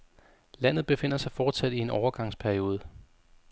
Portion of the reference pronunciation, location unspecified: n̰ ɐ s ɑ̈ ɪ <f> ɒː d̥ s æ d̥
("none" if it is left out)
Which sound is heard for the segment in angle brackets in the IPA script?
f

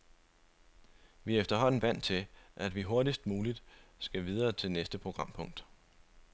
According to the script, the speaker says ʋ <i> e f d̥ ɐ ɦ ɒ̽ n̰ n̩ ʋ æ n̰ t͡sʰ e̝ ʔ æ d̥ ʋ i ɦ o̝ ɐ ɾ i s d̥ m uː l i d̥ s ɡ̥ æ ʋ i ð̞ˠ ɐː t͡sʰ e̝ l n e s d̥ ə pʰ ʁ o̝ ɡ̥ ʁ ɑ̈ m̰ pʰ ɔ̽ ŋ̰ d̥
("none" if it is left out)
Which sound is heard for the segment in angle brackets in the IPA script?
i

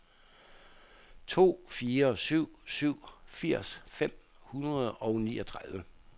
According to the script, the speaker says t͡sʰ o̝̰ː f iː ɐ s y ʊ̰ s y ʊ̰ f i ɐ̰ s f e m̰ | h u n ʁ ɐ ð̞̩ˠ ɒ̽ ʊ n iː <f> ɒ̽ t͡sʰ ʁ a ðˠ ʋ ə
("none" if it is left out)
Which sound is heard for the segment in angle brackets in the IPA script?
none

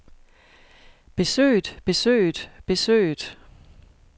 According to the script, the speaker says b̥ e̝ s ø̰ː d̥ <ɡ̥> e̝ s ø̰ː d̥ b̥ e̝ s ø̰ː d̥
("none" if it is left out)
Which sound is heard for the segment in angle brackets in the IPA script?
b̥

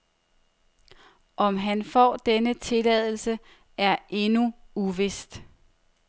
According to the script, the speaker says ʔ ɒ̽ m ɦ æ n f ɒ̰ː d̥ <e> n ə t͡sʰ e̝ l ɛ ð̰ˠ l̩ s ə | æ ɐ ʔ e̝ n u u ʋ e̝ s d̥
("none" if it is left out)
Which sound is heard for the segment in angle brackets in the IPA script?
e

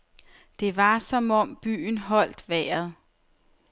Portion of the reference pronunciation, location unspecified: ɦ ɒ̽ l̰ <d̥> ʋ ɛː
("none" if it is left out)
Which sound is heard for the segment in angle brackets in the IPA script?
d̥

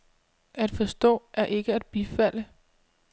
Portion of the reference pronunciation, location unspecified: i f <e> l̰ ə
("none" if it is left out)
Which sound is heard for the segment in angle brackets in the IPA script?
æ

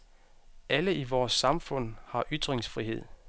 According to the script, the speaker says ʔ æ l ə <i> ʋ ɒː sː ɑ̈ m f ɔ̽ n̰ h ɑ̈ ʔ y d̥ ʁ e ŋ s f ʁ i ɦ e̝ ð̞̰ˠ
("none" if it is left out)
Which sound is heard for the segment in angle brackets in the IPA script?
i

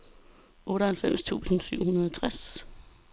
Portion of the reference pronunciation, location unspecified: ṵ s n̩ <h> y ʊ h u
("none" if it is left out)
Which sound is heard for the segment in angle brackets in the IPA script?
s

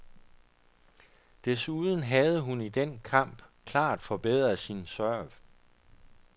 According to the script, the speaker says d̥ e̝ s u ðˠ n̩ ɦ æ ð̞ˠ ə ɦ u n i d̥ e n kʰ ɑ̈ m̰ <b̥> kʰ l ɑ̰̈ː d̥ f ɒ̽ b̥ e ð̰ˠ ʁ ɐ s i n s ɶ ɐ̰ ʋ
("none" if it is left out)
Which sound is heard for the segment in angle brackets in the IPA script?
b̥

